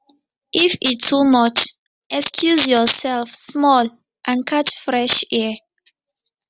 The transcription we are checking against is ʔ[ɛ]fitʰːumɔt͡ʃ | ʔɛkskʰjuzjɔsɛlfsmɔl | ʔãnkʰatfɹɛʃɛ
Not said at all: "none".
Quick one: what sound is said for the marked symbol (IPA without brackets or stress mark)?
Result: i